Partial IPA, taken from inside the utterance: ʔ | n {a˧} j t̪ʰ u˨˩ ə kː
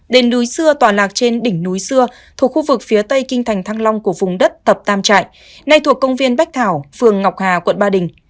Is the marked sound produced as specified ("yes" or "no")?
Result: yes